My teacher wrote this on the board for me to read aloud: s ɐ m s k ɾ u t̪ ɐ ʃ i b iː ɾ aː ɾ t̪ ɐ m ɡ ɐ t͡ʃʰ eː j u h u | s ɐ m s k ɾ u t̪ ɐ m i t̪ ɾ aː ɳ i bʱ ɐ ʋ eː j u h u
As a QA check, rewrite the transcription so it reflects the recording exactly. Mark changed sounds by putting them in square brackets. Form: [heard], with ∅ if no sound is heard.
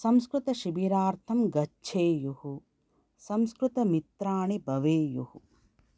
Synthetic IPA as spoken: s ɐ m s k ɾ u t̪ ɐ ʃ i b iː ɾ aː ɾ [t̪ʰ] ɐ m ɡ ɐ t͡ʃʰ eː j u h u | s ɐ m s k ɾ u t̪ ɐ m i t̪ ɾ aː ɳ i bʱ ɐ ʋ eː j u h u